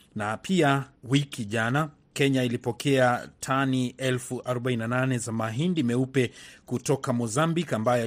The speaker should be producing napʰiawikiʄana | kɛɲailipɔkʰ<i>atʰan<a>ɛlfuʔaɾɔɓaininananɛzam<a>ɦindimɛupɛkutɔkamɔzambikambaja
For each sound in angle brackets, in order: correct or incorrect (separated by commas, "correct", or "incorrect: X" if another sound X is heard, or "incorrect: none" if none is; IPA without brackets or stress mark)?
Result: incorrect: ɛ, incorrect: i, correct